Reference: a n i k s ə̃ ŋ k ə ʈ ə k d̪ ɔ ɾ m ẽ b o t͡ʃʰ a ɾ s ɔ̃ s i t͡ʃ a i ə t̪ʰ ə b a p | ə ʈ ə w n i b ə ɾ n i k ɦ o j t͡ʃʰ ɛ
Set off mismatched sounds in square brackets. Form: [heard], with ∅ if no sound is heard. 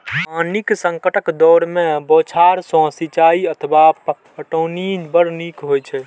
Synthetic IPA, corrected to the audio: a n i k s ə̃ ŋ k ə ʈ ə k d̪ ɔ ɾ m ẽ b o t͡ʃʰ a ɾ s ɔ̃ s i t͡ʃ a i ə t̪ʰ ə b a p | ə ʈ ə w n i b ə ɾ n i k ɦ o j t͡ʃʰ ɛ